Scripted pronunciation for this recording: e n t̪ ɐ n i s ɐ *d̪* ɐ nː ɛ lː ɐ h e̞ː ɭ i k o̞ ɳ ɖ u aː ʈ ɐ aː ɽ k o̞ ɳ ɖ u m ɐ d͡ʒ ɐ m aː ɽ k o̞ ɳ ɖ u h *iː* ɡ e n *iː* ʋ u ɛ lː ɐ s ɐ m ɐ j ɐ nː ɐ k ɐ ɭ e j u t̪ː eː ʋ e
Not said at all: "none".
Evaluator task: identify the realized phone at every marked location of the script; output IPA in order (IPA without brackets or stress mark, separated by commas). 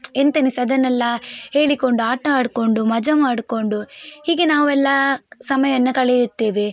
d̪, iː, aː